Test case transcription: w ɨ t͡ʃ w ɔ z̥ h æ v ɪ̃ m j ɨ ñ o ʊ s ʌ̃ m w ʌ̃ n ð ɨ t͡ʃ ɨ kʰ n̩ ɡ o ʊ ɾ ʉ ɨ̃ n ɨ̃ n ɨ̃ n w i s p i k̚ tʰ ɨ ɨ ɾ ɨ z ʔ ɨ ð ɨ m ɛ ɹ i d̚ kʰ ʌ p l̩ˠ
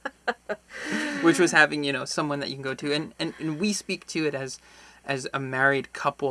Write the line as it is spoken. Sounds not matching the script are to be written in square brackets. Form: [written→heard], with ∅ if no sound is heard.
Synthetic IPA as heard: w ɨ t͡ʃ w [ɔ→ʌ] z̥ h æ v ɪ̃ [m→ŋ] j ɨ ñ o ʊ s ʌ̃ m w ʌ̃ n ð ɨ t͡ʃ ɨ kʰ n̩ ɡ o ʊ ɾ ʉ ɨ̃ n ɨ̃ n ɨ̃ n w i s p i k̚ tʰ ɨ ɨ ɾ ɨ z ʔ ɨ [ð→z] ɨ m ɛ ɹ i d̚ kʰ ʌ p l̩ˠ